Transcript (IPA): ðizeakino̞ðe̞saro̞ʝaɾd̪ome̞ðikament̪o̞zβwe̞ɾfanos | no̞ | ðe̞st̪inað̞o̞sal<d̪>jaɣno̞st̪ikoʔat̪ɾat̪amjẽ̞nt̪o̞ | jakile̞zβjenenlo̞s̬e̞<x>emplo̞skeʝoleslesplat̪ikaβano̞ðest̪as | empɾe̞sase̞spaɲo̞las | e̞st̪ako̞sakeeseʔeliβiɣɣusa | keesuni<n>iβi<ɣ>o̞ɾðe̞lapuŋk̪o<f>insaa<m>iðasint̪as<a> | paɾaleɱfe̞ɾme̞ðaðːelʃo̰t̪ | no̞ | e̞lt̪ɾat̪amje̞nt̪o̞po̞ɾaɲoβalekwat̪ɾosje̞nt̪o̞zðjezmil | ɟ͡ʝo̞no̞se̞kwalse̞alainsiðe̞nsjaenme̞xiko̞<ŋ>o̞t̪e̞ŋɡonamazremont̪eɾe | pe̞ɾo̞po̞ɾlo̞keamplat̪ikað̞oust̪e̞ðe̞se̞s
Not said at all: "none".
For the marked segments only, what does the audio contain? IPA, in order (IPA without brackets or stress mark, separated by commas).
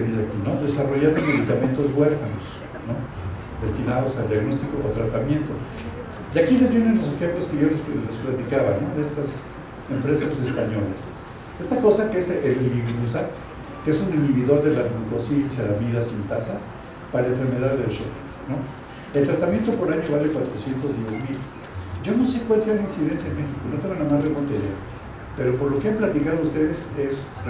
d̪, x, n, ð, s, m, a, n